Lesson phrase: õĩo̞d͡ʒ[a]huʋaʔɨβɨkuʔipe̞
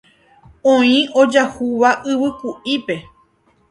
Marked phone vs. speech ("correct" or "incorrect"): correct